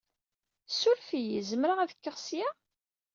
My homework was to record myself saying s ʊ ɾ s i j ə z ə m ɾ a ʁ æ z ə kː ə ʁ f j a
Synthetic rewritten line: s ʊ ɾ f i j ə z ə m ɾ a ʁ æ ð ə kː ə ʁ s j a